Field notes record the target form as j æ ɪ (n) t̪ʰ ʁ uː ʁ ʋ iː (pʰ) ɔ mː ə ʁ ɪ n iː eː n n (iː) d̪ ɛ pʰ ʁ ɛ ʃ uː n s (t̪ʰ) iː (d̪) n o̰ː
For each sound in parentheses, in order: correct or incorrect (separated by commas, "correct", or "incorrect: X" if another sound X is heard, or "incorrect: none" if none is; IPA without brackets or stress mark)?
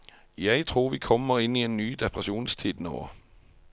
incorrect: none, incorrect: kʰ, incorrect: yː, correct, correct